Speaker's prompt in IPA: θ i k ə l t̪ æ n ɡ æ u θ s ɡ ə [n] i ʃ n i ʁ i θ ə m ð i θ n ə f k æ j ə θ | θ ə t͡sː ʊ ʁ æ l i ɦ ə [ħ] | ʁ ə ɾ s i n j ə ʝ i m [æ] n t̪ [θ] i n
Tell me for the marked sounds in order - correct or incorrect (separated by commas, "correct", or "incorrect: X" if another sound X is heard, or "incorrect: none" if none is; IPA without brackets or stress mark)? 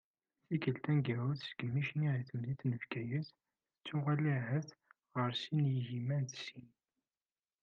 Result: incorrect: m, incorrect: θ, correct, incorrect: s